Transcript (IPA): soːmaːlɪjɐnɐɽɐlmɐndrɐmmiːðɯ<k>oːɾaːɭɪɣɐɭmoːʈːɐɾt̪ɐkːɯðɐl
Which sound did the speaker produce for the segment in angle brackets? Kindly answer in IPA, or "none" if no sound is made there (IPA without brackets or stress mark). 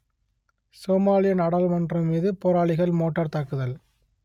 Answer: p